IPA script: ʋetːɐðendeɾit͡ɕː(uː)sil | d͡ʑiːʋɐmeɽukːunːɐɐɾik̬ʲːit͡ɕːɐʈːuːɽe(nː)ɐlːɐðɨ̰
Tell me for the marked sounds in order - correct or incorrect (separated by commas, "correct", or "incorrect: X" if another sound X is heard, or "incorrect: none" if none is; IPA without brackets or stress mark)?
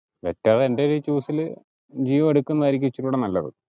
correct, incorrect: n